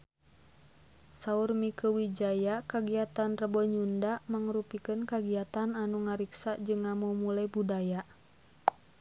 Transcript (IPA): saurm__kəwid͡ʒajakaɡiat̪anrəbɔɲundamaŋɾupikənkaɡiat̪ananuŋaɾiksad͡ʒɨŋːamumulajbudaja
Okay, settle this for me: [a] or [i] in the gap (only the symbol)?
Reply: i